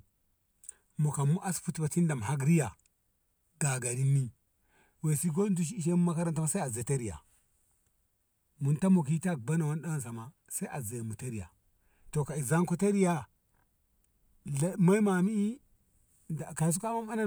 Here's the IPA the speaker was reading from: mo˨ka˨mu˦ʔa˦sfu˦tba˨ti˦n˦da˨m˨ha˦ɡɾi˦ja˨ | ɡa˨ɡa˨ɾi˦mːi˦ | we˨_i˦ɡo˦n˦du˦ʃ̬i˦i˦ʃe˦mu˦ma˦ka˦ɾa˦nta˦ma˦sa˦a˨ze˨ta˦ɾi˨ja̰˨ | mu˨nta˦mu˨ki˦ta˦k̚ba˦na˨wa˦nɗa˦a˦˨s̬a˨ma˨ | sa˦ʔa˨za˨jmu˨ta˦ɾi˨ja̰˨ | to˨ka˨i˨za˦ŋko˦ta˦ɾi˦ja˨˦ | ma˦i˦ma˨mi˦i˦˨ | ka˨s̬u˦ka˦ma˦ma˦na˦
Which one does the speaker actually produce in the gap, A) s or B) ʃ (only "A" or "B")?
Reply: A